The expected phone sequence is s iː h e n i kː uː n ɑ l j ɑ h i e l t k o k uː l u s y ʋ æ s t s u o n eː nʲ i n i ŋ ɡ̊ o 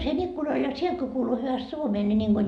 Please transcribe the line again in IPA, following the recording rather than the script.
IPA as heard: s iː h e n i kː u n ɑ l j ɑ s i e l t k o k uː l u h y ʋ æ s t s u o m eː nʲ i n i ŋ ɡ̊ o

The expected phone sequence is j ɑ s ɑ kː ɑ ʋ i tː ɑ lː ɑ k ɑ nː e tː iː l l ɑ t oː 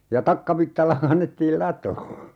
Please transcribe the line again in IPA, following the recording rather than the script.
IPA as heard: j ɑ t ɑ kː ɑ ʋ i tː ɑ lː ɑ k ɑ nː e tː iː l l ɑ t oː

